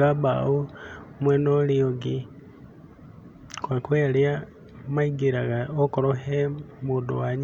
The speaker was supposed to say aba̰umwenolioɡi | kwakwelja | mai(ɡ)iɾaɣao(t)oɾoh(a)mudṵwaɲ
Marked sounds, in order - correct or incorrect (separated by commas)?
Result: correct, incorrect, incorrect